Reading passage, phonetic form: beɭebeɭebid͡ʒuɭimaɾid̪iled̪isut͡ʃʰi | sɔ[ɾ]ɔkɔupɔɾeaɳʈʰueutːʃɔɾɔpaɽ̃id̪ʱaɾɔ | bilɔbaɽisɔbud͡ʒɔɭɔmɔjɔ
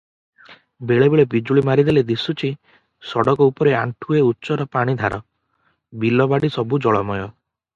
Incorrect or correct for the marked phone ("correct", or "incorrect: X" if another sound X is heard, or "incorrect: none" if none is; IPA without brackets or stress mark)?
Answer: incorrect: ɽ